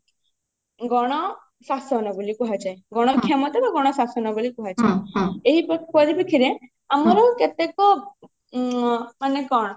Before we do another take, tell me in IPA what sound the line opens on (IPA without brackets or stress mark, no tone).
ɡ